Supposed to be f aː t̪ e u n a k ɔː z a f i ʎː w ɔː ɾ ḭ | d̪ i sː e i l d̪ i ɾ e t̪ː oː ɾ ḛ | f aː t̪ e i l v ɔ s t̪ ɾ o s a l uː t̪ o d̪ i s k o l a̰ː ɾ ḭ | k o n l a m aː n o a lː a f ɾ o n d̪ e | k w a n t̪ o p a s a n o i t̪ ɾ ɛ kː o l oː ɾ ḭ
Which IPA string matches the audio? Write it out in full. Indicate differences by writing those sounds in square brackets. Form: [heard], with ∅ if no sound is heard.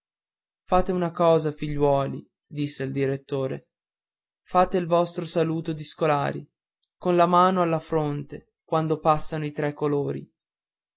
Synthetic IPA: f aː t̪ e u n a k ɔː z a f i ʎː w ɔː [l] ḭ | d̪ i sː e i l d̪ i ɾ e t̪ː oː ɾ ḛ | f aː t̪ e i l v ɔ s t̪ ɾ o s a l uː t̪ o d̪ i s k o l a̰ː ɾ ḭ | k o n l a m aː n o a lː a f ɾ o n [t̪] e | k w a n [d̪] o p a [sː] a n o i t̪ ɾ ɛ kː o l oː ɾ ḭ

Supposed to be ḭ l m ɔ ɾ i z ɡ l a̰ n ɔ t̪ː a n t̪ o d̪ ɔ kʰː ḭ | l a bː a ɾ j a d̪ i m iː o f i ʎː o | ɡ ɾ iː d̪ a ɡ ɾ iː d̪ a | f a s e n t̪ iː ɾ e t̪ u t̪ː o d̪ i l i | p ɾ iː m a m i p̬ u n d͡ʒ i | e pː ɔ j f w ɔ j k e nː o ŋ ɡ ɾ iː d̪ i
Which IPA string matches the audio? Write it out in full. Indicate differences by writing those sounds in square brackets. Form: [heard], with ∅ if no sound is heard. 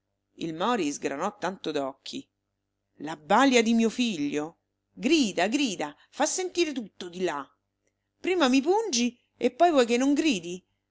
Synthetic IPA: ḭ l m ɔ ɾ i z ɡ [ɾ] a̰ n ɔ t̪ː a n t̪ o d̪ ɔ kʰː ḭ | l a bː a [l] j a d̪ i m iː o f i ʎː o | ɡ ɾ iː d̪ a ɡ ɾ iː d̪ a | f a [sː] e n t̪ iː ɾ e t̪ u t̪ː o d̪ i l [a] | p ɾ iː m a m i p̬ u n d͡ʒ i | e pː ɔ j [v] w ɔ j k e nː o ŋ ɡ ɾ iː d̪ i

